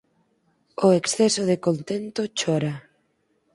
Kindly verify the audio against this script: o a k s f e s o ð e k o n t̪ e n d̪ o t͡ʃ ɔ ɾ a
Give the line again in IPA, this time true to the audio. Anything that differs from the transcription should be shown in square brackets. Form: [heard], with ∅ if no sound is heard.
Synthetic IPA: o [e] k s [θ] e s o ð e k o n t̪ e n [t̪] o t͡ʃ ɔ ɾ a